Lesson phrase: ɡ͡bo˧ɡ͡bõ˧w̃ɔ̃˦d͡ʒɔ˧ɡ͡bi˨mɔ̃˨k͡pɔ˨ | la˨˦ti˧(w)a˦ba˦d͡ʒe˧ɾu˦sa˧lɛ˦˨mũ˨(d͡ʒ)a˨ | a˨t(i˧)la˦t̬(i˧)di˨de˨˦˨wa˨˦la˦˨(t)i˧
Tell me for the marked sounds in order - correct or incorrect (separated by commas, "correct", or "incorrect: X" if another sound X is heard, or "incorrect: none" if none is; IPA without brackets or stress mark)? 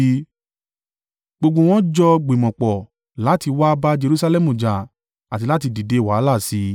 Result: correct, correct, correct, correct, incorrect: s